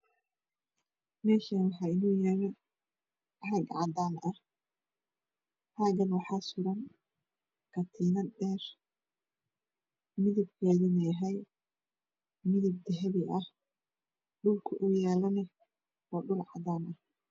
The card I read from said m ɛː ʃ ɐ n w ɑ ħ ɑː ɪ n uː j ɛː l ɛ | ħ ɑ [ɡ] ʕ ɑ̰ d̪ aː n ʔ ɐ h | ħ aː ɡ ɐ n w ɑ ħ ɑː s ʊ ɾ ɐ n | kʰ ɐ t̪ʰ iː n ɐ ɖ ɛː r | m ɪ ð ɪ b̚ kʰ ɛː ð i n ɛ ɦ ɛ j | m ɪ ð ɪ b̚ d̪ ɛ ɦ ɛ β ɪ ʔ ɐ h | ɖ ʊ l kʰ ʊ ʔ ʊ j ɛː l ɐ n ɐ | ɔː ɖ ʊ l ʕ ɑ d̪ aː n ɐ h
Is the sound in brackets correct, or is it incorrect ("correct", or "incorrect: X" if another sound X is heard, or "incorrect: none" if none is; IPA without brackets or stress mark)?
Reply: correct